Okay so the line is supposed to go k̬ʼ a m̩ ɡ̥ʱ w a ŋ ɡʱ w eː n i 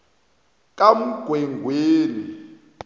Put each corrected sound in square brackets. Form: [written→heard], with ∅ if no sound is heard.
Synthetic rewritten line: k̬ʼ a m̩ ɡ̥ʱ w [a→ɛ] ŋ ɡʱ w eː n i